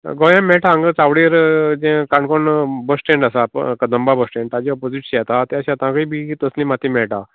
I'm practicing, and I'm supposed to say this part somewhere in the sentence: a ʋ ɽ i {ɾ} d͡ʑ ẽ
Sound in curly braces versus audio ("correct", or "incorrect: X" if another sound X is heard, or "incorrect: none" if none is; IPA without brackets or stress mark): correct